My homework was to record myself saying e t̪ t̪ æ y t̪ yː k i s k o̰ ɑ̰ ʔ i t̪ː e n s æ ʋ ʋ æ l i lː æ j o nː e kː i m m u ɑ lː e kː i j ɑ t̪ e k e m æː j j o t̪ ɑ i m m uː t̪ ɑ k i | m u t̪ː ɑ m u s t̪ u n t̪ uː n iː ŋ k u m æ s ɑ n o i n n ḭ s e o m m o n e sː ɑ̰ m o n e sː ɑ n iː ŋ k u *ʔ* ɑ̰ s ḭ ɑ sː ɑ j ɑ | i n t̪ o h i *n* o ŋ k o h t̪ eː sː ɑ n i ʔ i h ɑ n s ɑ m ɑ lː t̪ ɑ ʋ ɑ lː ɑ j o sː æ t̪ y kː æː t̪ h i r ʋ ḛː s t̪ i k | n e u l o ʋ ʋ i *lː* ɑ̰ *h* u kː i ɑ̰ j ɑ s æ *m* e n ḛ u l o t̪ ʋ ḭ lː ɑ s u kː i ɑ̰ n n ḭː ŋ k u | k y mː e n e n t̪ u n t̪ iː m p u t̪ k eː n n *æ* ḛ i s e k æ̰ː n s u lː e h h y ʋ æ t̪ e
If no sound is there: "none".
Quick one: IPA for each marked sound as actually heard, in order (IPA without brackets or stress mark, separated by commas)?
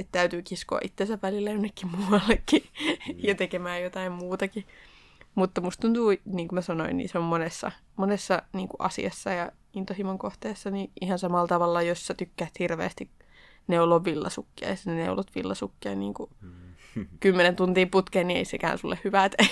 ʔ, m, lː, s, n, i